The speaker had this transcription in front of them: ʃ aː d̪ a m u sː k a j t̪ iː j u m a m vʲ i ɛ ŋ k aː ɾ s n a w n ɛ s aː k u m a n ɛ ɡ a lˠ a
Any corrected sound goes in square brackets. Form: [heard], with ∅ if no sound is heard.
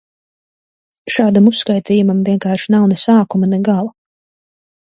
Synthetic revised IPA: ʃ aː d̪ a m u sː k a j t̪ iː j u m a m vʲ i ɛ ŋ k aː ɾ [ʃ] n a w n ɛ s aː k u m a n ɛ ɡ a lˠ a